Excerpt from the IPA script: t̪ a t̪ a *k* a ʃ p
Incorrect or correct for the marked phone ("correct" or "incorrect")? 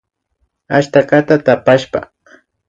incorrect